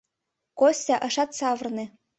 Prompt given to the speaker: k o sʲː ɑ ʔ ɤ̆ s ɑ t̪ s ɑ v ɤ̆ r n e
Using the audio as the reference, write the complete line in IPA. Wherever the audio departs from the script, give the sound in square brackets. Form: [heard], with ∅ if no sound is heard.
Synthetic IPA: k o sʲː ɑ ʔ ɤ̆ [ʃ] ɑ t̪ s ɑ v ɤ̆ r n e